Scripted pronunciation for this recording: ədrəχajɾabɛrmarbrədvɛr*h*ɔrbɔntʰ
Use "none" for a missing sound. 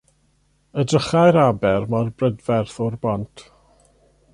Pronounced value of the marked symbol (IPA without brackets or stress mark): θ